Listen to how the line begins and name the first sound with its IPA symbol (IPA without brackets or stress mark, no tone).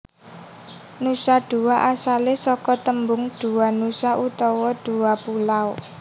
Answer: n